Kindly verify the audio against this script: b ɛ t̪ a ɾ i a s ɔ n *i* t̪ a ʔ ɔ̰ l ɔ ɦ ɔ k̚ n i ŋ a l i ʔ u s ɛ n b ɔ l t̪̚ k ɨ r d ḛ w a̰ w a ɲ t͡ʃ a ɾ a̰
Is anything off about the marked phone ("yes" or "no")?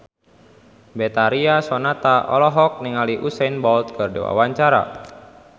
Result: yes